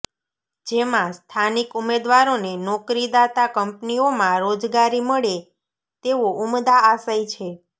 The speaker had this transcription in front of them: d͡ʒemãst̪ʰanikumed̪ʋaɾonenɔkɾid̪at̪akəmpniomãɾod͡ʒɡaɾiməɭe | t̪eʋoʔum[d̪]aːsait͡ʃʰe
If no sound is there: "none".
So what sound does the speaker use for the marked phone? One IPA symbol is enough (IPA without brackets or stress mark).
d̪